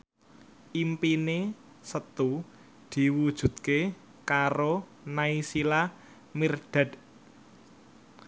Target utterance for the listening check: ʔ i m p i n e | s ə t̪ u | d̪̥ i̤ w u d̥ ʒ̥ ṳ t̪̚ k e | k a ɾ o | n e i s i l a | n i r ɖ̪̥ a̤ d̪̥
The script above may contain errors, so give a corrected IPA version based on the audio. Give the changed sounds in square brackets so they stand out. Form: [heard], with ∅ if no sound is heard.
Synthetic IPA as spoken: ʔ i m p i n e | s ə t̪ u | d̪̥ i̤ w u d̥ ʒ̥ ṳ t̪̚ k e | k a ɾ o | n [a] i s i l a | [m] i r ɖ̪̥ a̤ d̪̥